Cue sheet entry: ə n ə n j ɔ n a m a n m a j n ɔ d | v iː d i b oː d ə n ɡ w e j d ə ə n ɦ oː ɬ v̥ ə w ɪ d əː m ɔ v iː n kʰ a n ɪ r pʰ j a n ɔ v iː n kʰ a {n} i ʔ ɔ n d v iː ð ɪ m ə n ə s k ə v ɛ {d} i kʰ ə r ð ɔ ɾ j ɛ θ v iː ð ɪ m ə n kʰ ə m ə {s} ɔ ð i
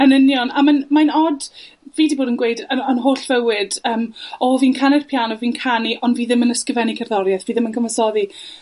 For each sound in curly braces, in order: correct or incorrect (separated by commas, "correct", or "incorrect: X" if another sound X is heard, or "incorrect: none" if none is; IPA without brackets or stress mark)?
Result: correct, incorrect: n, correct